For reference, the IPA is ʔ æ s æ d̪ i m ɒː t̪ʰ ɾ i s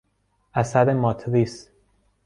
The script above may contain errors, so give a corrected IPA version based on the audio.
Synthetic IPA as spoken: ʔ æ s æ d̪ e m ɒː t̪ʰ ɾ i s